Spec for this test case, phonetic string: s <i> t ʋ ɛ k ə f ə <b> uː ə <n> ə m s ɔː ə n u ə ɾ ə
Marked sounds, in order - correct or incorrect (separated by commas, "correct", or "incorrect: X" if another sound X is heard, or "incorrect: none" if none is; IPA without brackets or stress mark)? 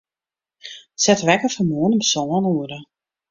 incorrect: ɛ, incorrect: m, correct